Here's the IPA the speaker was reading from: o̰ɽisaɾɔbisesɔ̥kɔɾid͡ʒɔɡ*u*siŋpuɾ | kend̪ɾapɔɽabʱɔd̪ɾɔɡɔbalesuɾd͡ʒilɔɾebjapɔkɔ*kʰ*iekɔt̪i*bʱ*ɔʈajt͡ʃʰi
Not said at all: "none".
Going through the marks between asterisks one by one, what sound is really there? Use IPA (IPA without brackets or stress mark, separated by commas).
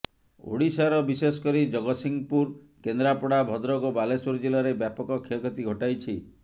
ɔ, kʰ, ɡʱ